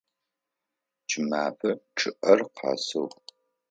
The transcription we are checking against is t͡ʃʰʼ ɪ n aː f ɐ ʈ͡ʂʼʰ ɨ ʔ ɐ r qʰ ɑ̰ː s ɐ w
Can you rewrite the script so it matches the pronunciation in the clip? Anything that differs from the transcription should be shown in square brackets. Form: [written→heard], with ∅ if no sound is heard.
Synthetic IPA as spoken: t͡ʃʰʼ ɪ [n→m] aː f ɐ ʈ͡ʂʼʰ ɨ ʔ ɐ r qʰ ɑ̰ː s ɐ w